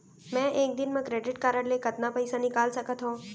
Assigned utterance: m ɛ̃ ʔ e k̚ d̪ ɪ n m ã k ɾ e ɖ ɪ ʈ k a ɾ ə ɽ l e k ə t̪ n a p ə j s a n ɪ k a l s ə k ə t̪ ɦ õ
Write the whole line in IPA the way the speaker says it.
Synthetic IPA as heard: m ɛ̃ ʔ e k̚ d̪ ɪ n m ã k ɾ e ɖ ɪ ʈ k a ɾ ə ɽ l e k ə t̪ n a p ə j s a n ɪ k a l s ə k ə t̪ ɦ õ